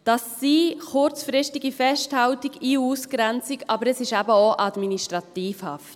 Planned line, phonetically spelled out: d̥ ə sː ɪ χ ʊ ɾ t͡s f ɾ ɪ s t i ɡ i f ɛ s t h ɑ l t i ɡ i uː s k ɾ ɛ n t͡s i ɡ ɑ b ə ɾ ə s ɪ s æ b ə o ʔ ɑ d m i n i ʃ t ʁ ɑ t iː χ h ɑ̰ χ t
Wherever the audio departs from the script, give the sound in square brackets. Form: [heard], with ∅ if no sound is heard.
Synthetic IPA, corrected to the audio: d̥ [ɑ] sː [i] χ ʊ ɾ t͡s f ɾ ɪ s t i ɡ i f ɛ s t h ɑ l t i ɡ i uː s k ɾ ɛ n t͡s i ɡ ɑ b ə ɾ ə s ɪ [ʃ] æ b ə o ʔ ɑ d m i n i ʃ t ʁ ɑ t iː [f] h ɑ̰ [f] t

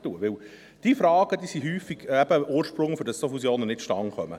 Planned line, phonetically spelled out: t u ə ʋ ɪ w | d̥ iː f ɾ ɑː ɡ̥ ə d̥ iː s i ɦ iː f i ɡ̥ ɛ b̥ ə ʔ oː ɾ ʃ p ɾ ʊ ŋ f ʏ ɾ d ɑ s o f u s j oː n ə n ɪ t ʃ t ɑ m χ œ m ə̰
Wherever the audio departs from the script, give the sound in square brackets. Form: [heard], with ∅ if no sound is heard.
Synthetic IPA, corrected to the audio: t u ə ʋ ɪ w | d̥ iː f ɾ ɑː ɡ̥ ə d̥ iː s i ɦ [yː] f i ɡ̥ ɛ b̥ ə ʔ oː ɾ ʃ p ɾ ʊ ŋ f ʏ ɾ d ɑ s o f u s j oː n ə n ɪ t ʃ t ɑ [ŋ] χ œ m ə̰

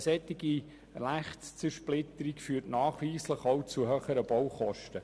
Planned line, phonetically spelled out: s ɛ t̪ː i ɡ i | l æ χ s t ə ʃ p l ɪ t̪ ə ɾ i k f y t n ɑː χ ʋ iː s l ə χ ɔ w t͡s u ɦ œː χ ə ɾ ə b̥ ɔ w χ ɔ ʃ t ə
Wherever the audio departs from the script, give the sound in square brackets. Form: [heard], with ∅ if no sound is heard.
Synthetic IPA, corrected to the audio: s ɛ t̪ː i ɡ i | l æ χ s [t͡s] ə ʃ p l ɪ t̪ ə ɾ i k f [yː] t n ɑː χ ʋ iː s l ə χ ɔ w t͡s u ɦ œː χ ə ɾ ə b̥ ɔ w χ ɔ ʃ t ə

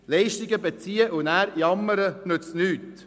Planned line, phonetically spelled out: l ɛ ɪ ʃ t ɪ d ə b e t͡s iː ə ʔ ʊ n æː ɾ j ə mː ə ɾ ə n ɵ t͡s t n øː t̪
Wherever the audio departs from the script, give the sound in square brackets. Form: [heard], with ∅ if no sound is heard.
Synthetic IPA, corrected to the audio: l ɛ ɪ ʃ t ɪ [ɡ] ə b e t͡s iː ə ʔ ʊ n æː ɾ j [ɑ] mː ə ɾ ə n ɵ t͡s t n [yː] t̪

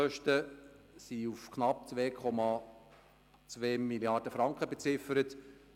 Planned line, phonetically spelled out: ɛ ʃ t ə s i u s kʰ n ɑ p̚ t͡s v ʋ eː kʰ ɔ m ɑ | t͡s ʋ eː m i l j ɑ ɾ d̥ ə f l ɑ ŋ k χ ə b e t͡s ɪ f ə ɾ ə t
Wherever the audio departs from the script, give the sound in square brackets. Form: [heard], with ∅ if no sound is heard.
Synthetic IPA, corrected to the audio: [œ] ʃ t ə s i u [f] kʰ n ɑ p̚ t͡s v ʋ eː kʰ ɔ m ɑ | t͡s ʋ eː m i l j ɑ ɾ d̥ ə f [ɾ] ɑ ŋ k χ ə b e t͡s ɪ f ə ɾ ə t

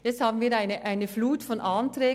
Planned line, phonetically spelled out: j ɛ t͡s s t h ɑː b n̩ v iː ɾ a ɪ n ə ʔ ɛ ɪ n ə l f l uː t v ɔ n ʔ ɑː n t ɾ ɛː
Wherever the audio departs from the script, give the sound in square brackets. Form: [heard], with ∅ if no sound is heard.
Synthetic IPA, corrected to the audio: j ɛ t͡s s t h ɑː b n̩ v iː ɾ a ɪ n ə ʔ [a] ɪ n ə [∅] f l uː t [f] ɔ n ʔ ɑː n t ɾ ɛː

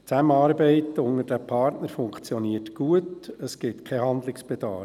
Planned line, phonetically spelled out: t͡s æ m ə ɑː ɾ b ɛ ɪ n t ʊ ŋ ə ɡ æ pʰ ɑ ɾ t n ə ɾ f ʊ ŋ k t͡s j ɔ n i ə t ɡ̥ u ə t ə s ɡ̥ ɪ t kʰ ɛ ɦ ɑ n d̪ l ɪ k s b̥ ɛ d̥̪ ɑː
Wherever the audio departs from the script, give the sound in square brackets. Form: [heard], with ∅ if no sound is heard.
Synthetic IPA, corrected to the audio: t͡s æ m ə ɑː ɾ b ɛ ɪ [∅] t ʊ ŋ ə [d] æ pʰ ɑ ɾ t n ə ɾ f ʊ ŋ k t͡s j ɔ n i ə t ɡ̥ u ə t ə s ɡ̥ ɪ t kʰ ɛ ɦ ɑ n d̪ l ɪ k s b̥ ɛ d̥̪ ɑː

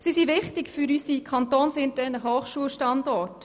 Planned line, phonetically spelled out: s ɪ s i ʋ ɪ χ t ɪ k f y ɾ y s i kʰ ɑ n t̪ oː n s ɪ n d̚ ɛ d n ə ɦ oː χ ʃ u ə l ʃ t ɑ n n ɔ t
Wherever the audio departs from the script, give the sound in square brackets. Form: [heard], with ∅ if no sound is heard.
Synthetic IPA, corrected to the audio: s [i] s i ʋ ɪ χ t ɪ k f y ɾ y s i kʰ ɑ n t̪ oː n s ɪ n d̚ ɛ [∅] n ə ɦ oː χ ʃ u ə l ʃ t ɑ n [d] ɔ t

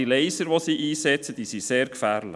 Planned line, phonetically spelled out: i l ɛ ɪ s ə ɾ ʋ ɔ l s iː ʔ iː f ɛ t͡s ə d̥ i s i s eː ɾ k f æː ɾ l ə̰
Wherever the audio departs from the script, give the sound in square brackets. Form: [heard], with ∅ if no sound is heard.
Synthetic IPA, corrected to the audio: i l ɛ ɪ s ə ɾ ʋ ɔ [∅] s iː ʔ iː [s] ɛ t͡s ə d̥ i s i s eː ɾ k f æː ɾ l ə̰

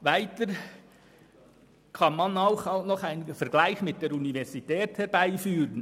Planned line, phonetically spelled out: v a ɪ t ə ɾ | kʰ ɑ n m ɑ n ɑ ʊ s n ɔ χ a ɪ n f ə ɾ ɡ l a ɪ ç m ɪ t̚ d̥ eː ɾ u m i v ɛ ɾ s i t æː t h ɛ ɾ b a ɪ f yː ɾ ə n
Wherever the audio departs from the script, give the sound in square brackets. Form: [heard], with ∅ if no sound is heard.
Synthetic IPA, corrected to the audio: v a ɪ t ə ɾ | kʰ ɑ n m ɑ n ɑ ʊ [x] n ɔ χ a ɪ n f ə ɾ ɡ l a ɪ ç m ɪ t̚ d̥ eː ɾ u [n] i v ɛ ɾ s i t [ɛː] t h ɛ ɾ b a ɪ f yː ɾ ə n

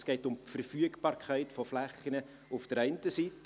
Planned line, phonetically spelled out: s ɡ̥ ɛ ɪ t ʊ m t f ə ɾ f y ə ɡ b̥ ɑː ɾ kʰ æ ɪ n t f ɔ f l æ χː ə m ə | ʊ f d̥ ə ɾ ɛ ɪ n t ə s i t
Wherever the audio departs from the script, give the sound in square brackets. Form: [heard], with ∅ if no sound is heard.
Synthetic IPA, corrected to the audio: s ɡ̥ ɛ ɪ t ʊ m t f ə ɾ f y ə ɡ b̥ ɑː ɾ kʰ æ ɪ [∅] t f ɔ f l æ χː ə [n] ə | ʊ f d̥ ə ɾ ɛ ɪ n t ə s i t

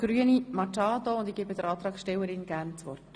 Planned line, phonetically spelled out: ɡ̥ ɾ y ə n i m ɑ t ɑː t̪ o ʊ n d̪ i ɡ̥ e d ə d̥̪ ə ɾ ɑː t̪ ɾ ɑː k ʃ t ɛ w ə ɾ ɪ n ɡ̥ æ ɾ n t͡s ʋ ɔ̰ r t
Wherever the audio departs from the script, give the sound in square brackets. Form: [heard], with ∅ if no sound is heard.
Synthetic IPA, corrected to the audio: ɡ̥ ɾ y ə n i m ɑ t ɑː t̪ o ʊ n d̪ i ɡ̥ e [b] ə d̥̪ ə ɾ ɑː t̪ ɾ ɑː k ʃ t ɛ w ə ɾ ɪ n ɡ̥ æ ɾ n t͡s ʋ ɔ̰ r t

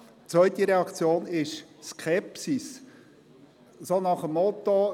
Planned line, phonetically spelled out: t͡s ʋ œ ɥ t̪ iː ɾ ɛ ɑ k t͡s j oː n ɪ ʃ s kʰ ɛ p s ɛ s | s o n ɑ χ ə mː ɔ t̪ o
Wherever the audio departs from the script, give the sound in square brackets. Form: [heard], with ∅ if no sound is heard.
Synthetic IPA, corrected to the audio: t͡s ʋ œ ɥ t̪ [i] ɾ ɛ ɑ k t͡s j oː n ɪ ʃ s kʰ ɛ p s [i] s | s o n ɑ χ ə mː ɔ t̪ o

